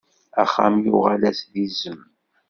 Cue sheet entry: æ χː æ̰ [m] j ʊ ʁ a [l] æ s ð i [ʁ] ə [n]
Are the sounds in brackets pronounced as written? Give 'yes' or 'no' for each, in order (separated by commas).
yes, yes, no, no